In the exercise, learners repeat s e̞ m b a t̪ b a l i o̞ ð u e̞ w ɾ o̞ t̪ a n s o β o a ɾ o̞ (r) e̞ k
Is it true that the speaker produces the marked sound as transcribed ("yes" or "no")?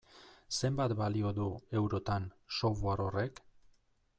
yes